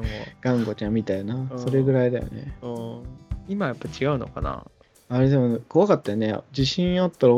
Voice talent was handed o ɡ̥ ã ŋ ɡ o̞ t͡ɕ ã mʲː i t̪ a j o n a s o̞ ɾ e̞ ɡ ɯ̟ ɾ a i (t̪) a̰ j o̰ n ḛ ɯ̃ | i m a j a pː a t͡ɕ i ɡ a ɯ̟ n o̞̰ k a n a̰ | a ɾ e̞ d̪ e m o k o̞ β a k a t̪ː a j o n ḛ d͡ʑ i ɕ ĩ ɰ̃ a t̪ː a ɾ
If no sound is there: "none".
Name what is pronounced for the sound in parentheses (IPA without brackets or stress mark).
d̪